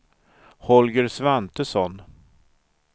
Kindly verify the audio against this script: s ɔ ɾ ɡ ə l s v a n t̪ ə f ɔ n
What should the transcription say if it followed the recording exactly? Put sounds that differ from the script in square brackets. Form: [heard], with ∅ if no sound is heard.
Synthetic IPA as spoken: [h] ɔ [l] ɡ ə [ɾ] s v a n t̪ ə [s] ɔ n